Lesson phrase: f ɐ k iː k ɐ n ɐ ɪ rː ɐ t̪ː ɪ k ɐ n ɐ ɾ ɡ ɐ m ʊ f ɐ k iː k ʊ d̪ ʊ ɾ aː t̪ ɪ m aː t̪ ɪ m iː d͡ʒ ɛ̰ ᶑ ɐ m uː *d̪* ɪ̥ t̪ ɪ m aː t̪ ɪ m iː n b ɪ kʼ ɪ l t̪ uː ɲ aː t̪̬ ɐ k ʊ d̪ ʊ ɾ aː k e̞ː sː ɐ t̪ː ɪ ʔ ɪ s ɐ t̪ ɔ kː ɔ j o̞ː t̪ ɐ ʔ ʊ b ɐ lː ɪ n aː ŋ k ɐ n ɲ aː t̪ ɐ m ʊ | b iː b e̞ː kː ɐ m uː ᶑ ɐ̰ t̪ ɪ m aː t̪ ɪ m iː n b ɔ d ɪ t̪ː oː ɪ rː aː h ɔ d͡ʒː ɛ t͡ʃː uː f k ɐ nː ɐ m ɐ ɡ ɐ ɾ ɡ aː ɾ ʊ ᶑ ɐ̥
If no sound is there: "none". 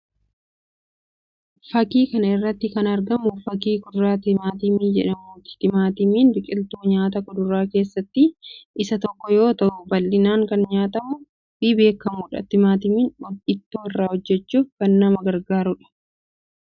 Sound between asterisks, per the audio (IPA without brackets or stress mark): t̪